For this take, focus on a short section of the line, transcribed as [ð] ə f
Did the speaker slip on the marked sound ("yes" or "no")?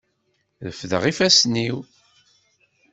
no